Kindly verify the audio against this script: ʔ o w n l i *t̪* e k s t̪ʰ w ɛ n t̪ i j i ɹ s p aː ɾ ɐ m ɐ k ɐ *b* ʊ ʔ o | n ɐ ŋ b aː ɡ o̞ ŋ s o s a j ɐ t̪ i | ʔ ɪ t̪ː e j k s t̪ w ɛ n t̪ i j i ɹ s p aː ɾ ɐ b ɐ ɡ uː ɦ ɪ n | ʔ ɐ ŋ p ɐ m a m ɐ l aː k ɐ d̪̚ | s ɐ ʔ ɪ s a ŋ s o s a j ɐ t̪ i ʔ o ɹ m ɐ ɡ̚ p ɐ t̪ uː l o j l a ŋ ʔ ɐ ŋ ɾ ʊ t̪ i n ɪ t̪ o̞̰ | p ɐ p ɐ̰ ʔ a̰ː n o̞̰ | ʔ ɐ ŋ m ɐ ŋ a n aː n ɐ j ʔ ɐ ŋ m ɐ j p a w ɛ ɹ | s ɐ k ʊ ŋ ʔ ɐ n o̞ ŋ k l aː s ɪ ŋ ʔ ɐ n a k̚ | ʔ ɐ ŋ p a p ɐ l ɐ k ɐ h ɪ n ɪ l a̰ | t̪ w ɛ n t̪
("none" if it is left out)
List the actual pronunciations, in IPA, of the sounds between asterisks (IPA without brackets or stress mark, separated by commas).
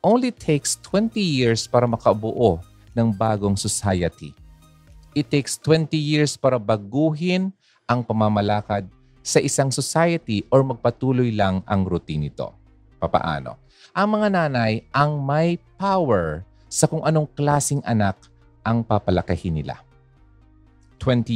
t̪ʰ, b